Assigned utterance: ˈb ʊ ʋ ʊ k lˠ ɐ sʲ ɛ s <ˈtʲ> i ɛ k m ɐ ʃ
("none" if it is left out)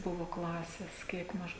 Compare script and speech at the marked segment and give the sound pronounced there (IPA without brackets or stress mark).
kʲ